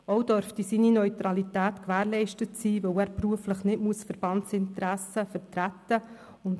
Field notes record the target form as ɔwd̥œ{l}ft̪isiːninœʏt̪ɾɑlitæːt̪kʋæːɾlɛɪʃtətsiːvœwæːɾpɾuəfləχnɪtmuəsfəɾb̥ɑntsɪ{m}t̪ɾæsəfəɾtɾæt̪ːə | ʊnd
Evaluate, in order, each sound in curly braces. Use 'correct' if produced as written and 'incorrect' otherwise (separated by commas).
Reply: incorrect, incorrect